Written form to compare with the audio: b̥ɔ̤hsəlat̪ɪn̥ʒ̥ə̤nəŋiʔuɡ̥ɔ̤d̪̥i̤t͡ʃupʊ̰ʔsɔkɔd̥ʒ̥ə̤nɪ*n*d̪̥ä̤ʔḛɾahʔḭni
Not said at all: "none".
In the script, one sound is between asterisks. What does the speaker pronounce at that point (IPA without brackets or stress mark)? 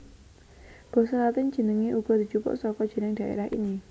ŋ